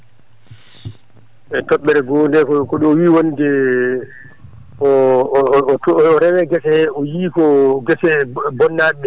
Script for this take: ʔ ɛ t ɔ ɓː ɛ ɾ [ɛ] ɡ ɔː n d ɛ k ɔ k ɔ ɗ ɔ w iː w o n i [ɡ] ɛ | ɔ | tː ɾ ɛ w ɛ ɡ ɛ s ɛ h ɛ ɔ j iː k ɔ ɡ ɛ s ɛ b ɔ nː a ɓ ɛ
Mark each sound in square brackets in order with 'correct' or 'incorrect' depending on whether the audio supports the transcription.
correct, incorrect

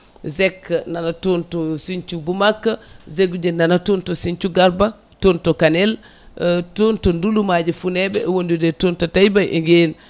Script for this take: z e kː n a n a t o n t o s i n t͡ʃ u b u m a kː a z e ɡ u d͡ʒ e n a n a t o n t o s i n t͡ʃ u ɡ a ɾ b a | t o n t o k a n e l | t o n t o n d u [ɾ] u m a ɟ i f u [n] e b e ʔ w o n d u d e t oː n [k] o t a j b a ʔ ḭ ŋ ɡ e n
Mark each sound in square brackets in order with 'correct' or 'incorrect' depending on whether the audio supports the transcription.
incorrect, correct, incorrect

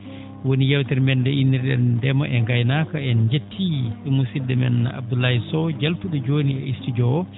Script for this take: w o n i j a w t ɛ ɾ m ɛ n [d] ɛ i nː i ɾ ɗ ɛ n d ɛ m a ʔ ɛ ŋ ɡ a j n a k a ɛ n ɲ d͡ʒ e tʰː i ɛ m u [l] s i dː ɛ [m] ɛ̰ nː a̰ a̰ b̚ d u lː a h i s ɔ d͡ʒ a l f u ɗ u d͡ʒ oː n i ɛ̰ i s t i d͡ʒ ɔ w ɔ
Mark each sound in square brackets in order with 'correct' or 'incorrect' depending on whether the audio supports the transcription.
correct, incorrect, correct

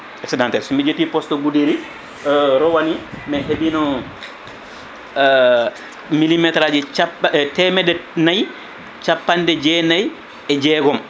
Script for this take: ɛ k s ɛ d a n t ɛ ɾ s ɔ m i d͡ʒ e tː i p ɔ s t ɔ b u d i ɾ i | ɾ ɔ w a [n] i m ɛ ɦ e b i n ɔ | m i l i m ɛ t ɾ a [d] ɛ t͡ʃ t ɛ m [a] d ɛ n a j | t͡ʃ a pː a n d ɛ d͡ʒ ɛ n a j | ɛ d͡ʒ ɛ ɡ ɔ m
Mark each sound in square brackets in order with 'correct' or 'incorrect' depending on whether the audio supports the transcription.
correct, incorrect, incorrect

